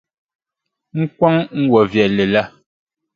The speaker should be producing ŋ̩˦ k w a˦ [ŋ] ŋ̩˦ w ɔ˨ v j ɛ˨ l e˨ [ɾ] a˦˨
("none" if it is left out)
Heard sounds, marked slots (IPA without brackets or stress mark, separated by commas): ŋ, l